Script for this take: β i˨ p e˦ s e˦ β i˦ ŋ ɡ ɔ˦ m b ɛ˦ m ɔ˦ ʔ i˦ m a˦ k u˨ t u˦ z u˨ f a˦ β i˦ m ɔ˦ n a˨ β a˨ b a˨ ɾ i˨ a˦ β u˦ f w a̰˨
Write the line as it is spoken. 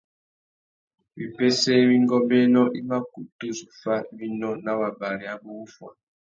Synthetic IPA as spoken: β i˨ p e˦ s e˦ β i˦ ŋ ɡ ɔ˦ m b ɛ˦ n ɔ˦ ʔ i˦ m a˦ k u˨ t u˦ z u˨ f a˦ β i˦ n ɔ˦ n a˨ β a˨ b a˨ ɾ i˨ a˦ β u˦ f w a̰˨